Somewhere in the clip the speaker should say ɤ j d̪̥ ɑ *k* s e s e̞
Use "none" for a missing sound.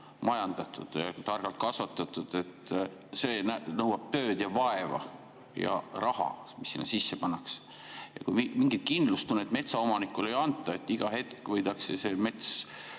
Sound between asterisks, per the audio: k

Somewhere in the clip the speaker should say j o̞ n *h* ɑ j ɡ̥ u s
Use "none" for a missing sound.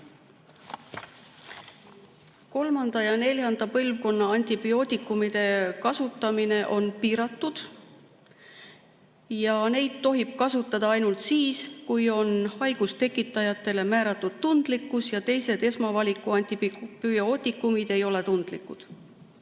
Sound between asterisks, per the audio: h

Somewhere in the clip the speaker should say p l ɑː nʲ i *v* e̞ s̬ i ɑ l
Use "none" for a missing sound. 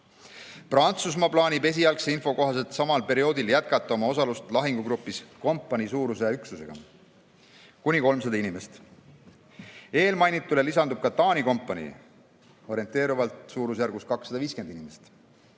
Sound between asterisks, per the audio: b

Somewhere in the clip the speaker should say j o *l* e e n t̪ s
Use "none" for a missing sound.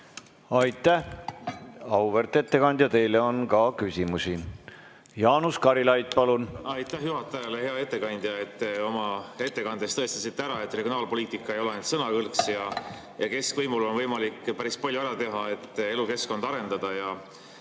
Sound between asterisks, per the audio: l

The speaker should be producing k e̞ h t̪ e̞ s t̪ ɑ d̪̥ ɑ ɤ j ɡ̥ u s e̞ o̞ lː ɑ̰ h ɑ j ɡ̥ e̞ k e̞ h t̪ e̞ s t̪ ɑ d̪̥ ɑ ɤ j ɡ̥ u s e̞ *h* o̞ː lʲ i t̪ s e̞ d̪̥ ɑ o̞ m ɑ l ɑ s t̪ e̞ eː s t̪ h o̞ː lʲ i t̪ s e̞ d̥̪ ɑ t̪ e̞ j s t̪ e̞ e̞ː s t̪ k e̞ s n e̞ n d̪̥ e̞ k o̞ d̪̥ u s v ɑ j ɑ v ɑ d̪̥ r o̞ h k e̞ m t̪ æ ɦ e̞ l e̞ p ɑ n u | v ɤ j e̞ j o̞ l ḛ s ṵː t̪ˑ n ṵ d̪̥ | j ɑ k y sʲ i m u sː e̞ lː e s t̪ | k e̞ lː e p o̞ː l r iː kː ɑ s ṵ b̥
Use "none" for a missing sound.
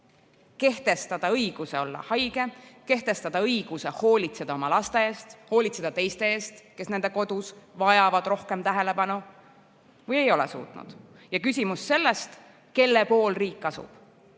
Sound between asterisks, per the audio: h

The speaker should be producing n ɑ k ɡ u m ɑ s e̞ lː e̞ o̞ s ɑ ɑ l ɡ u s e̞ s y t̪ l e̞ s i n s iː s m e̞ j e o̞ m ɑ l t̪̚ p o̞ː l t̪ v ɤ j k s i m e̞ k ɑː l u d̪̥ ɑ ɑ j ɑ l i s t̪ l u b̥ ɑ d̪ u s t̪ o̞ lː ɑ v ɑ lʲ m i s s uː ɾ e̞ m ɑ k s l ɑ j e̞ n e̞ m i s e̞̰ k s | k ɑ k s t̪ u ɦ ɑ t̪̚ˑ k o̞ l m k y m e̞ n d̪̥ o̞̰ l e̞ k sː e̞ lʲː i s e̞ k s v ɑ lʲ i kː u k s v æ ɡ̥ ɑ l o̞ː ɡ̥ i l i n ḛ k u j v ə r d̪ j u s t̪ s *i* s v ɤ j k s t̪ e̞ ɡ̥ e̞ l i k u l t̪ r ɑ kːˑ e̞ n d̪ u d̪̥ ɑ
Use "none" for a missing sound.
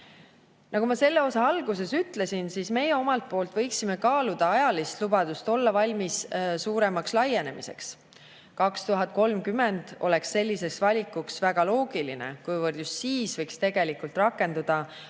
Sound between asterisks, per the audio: iː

